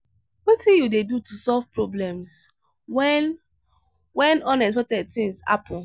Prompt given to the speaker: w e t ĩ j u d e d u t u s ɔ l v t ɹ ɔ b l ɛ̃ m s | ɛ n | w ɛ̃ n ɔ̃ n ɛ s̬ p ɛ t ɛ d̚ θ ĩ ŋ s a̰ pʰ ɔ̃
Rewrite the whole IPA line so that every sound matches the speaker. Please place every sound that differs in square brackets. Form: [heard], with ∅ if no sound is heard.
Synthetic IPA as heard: w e t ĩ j u d e d u t u s ɔ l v [p] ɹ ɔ b l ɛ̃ m s | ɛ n | w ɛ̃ n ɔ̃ n ɛ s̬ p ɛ t ɛ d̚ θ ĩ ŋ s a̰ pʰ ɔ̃